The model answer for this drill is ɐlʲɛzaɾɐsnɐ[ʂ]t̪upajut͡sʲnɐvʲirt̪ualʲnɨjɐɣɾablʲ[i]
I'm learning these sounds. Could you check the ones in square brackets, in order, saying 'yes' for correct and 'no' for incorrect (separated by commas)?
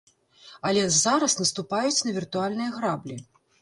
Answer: no, yes